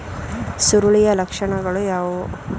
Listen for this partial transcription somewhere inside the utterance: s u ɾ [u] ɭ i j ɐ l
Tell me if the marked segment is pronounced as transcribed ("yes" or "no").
yes